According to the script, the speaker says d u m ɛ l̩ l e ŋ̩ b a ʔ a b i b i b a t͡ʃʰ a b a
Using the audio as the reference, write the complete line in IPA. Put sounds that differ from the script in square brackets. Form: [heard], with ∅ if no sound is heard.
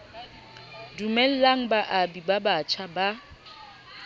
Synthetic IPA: d u m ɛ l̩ l [a] ŋ̩ b a ʔ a b i b [a] b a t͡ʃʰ a b a